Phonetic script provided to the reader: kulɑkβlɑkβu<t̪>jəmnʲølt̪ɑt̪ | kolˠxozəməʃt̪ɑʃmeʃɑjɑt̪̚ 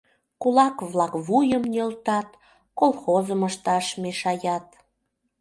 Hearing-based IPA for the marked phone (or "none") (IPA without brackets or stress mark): none